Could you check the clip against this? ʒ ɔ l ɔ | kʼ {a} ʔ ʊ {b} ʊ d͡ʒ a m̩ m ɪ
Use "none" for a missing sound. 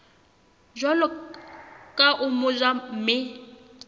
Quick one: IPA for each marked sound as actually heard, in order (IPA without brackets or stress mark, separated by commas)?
a, m